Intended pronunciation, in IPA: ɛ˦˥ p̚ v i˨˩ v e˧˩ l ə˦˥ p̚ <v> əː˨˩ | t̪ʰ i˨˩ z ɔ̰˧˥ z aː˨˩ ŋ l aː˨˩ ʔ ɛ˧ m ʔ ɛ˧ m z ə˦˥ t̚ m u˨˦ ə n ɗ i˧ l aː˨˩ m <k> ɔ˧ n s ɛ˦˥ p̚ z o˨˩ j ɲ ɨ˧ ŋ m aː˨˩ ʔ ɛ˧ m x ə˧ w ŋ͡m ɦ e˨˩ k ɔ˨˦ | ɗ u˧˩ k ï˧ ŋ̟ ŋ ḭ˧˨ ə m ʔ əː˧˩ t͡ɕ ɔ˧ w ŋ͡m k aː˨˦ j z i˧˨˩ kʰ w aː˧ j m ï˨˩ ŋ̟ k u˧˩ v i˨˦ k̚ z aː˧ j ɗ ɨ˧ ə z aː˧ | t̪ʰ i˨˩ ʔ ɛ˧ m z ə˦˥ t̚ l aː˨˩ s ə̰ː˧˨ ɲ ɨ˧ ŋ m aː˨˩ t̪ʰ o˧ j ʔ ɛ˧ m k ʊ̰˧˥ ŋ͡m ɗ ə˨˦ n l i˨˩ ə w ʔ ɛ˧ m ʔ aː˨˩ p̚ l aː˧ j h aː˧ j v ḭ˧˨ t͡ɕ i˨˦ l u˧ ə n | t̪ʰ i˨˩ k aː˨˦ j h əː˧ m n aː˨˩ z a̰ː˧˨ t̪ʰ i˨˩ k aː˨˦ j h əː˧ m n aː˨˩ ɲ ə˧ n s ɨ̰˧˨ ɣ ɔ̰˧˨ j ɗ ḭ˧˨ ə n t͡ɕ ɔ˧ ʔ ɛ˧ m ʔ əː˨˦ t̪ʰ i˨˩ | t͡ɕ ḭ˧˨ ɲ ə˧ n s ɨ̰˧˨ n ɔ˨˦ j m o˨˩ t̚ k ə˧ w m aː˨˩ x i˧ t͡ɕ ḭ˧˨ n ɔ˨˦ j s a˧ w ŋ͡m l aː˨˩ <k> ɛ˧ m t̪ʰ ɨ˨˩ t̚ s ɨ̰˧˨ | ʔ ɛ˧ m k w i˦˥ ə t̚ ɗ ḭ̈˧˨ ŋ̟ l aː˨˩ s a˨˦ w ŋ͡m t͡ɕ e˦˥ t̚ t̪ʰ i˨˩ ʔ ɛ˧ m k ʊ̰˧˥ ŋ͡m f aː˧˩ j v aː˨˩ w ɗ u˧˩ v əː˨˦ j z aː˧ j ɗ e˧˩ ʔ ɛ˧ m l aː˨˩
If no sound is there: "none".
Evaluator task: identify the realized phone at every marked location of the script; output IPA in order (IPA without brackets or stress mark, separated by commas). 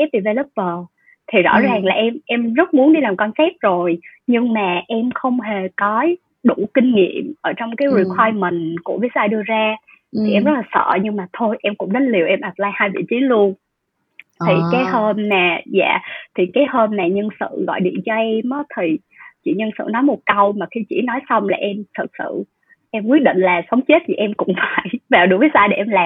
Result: v, k, ʔ